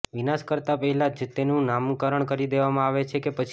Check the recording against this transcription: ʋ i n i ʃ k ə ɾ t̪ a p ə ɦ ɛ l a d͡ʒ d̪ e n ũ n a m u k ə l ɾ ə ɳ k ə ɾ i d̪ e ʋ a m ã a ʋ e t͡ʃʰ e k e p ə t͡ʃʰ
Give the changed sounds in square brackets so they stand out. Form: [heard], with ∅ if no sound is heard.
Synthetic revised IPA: ʋ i n [a] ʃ k ə ɾ t̪ a p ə ɦ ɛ l a d͡ʒ [t̪] e n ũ n a m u k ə [∅] ɾ ə ɳ k ə ɾ i d̪ e ʋ a m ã a ʋ e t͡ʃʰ e k e p ə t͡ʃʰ